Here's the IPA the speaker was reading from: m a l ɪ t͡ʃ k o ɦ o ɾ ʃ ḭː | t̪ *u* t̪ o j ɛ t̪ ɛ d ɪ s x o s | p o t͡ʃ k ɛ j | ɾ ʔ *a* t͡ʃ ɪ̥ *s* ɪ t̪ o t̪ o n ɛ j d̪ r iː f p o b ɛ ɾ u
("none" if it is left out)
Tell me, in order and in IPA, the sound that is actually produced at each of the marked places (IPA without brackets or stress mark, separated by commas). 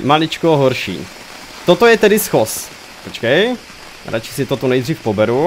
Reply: o, a, s